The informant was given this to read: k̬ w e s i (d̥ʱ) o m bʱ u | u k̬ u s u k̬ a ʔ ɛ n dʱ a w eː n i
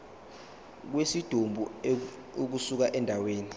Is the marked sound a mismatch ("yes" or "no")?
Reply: no